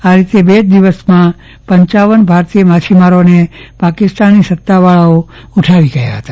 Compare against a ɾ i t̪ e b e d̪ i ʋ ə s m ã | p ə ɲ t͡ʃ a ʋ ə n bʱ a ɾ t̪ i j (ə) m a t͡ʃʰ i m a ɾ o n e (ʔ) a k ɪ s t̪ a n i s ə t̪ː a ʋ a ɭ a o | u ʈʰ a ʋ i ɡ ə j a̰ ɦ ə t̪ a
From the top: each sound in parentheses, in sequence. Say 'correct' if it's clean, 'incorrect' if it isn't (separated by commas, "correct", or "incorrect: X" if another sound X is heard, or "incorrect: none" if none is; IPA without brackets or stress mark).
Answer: correct, incorrect: p